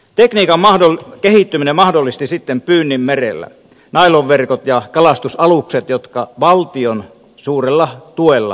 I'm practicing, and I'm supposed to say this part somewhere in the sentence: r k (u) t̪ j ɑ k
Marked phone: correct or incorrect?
incorrect